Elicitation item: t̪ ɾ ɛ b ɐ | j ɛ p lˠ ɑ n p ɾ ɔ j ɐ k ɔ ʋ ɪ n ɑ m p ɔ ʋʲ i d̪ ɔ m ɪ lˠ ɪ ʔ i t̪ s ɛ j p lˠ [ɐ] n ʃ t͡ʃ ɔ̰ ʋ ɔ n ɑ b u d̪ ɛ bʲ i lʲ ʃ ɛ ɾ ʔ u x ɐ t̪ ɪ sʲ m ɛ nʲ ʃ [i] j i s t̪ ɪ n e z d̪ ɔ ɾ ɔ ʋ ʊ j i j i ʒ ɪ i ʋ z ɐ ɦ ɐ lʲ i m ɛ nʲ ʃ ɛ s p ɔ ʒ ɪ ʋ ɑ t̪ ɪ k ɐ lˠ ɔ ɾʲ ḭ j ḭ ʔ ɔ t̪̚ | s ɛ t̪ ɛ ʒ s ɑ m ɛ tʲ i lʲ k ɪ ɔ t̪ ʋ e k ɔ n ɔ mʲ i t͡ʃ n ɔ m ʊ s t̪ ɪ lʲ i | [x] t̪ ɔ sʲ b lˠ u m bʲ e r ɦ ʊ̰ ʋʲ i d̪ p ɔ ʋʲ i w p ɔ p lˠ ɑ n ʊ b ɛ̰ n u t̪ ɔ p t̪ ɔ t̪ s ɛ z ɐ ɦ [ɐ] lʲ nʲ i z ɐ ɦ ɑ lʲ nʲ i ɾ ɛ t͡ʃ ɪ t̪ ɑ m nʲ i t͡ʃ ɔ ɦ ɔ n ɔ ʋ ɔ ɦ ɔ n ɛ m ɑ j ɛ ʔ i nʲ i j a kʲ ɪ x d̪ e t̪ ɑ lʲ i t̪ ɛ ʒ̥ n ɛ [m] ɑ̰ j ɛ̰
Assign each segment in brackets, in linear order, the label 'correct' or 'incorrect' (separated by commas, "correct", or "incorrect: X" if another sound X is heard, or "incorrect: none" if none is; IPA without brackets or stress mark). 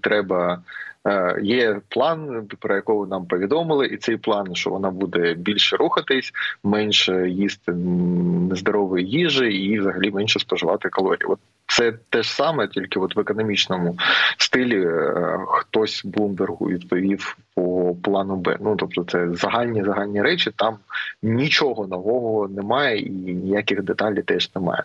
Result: incorrect: ɑ, incorrect: ɛ, correct, incorrect: ɑ, correct